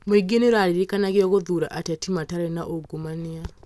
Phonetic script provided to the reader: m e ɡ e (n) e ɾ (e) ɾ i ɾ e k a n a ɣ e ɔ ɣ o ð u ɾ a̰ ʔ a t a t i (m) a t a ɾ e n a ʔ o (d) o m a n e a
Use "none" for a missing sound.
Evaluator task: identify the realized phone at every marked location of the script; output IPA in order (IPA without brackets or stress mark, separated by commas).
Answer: n, a, m, ɡ